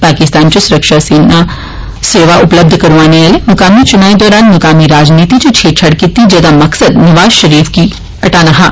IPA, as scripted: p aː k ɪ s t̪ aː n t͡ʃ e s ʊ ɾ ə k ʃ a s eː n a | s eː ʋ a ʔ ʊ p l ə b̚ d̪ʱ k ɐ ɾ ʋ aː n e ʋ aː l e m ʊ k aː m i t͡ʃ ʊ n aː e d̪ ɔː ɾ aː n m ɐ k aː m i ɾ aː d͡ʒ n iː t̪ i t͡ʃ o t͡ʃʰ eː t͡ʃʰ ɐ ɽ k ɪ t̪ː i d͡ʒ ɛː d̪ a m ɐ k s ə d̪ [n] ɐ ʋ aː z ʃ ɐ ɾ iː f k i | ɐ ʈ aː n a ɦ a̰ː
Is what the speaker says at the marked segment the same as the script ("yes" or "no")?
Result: yes